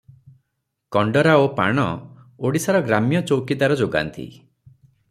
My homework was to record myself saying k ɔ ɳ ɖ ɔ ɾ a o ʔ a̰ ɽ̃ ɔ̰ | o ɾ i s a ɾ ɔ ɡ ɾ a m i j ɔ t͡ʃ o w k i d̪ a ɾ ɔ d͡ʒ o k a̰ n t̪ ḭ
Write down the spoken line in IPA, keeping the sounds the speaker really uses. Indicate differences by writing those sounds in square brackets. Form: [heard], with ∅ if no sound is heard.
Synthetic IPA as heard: k ɔ ɳ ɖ ɔ ɾ a o [p] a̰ ɽ̃ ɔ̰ | o [ɽ] i s a ɾ ɔ ɡ ɾ a m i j ɔ t͡ʃ o w k i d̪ a ɾ ɔ d͡ʒ o [ɡ] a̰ n t̪ ḭ